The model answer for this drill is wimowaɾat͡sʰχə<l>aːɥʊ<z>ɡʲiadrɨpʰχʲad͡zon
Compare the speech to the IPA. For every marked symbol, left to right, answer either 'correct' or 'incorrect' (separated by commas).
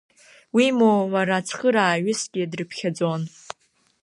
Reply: incorrect, incorrect